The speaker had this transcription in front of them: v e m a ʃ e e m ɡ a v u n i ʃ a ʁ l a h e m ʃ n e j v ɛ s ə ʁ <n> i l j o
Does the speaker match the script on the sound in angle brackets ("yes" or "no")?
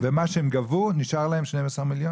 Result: no